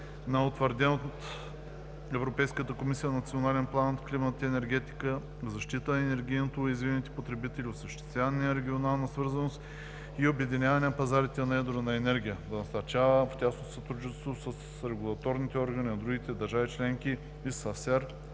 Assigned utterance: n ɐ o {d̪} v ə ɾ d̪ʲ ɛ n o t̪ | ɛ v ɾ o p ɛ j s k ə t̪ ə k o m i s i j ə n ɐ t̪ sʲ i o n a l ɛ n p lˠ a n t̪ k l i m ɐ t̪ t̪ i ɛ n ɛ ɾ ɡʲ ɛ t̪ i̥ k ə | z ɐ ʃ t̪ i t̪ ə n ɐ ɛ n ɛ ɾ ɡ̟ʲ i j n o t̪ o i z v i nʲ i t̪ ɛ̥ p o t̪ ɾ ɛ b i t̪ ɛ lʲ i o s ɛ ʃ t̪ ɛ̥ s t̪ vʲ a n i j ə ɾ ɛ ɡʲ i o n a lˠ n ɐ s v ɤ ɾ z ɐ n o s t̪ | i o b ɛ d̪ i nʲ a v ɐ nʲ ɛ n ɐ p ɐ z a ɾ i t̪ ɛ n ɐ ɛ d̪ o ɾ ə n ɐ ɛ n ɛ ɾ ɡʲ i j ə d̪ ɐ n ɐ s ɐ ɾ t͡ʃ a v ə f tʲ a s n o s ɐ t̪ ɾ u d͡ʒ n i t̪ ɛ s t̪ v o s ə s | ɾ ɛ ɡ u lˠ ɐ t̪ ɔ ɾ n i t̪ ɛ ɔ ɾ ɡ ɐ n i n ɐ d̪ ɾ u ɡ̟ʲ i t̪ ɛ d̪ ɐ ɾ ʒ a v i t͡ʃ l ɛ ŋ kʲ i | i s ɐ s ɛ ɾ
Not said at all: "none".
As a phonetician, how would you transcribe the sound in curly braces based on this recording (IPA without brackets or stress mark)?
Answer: t̪